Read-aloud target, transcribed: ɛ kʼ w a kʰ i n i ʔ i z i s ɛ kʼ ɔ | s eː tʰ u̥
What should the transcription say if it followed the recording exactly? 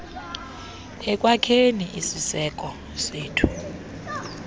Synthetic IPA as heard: ɛ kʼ w a kʰ e n i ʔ i s i s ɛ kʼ ɔ | s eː tʰ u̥